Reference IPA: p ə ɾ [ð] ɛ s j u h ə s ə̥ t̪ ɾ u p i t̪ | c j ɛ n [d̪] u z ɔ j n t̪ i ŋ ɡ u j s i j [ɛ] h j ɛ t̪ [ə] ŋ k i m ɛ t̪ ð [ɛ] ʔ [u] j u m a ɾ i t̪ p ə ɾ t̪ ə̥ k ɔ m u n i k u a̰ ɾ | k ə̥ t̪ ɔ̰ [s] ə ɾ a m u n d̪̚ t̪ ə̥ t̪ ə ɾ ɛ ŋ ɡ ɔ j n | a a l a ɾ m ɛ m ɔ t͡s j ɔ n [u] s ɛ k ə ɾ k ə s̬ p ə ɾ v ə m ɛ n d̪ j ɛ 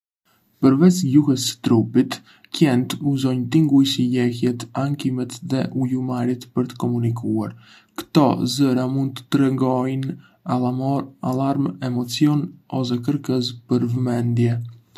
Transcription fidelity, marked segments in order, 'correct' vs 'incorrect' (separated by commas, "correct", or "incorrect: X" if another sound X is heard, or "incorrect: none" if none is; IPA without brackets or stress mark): incorrect: v, incorrect: t̪, correct, incorrect: a, correct, correct, incorrect: z, incorrect: ɔ